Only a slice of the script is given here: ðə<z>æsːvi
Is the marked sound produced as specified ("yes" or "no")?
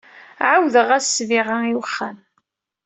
no